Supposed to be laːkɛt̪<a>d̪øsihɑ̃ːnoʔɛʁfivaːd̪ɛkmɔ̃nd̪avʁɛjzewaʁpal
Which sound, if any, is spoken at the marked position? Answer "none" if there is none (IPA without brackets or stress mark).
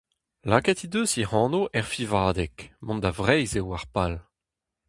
i